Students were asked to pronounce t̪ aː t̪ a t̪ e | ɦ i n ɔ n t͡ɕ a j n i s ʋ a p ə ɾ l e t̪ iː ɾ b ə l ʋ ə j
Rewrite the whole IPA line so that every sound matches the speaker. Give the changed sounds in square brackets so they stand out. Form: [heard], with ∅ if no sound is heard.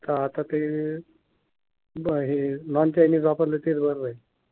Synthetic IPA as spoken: t̪ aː t̪ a t̪ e | ɦ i n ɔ n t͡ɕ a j n i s ʋ a p ə ɾ l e t̪ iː ɾ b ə [ɾ] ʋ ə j